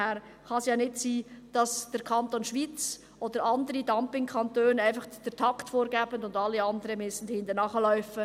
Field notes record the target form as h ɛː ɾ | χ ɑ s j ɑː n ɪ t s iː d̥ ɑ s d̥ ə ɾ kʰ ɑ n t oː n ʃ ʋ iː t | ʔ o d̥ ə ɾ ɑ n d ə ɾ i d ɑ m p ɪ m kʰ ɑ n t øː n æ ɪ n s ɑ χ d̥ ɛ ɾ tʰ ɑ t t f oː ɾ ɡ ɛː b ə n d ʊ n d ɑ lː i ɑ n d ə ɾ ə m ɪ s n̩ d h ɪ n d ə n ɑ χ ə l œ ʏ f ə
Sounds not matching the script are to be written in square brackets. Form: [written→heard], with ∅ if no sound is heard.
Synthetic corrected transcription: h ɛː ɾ | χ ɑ s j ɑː n ɪ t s iː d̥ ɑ s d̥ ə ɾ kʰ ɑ n t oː n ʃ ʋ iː [t→t͡s] | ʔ o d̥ ə ɾ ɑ n d ə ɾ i d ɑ m p ɪ [m→ŋ] kʰ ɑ n t øː n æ ɪ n [s→f] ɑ χ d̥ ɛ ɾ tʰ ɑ [t→k] t f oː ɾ ɡ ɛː b ə n d ʊ n d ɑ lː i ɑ n d ə ɾ ə m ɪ s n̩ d h ɪ n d ə n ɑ χ ə l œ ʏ f ə